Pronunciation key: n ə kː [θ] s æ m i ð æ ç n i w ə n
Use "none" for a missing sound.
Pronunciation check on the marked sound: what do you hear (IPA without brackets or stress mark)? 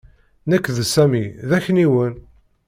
ð